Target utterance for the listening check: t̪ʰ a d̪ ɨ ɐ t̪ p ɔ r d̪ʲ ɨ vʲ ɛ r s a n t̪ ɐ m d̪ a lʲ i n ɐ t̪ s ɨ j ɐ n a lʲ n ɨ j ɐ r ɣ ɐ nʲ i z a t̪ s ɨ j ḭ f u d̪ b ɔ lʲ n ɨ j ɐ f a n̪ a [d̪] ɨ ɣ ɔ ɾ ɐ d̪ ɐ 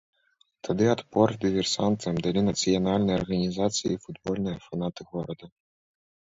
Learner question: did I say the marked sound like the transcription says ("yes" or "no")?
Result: no